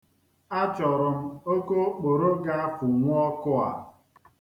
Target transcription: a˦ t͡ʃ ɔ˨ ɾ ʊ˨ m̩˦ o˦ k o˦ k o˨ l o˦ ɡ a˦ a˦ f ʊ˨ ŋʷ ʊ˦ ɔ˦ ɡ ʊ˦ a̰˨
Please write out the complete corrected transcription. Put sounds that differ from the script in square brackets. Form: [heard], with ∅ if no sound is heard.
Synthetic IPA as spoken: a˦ t͡ʃ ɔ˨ ɾ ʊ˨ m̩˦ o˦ k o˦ [k͡p] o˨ [ɾ] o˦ ɡ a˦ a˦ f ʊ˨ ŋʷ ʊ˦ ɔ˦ [k] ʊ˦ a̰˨